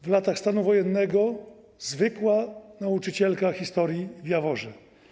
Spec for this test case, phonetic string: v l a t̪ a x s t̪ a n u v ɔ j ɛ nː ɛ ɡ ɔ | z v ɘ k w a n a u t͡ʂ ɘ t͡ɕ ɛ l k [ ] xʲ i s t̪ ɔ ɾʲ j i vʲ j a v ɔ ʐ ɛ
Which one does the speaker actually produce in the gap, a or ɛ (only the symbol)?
a